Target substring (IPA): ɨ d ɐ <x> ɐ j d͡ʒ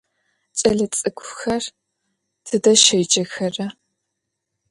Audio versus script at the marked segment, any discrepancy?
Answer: yes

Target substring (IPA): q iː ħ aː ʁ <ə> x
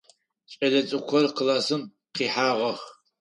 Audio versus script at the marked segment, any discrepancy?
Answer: yes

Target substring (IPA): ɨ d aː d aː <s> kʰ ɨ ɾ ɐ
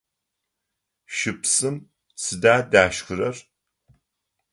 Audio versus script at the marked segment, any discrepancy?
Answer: yes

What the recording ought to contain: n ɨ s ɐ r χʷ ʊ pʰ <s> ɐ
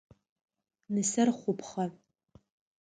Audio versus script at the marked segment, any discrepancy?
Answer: yes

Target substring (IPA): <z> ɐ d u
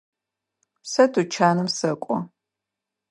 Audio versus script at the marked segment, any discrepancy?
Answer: yes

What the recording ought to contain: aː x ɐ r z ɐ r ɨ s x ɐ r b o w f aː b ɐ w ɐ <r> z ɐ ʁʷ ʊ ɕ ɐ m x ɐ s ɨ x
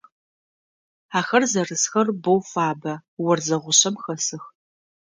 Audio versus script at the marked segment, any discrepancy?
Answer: no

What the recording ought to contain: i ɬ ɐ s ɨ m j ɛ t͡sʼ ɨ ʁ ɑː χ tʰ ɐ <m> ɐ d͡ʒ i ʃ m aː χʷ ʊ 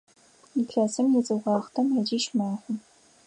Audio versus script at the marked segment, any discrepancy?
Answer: no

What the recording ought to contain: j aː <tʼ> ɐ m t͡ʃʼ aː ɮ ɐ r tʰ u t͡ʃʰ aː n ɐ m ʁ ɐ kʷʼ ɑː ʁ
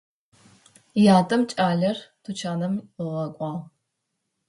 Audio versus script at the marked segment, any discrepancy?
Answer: no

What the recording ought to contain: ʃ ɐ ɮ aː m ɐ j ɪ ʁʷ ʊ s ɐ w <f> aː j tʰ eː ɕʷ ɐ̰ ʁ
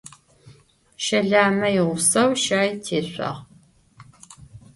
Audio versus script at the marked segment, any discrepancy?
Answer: yes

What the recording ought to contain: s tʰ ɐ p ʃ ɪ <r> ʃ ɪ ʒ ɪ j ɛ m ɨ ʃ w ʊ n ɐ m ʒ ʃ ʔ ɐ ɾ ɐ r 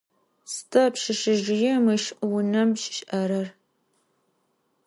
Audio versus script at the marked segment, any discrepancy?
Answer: yes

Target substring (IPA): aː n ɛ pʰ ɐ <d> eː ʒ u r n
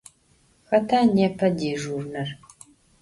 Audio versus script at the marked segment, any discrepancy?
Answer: no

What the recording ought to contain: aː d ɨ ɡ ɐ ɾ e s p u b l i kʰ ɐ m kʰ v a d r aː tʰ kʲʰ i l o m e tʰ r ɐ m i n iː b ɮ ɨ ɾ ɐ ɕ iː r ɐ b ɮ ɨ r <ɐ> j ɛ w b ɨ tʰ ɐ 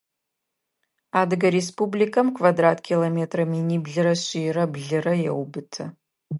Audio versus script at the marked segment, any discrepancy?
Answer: no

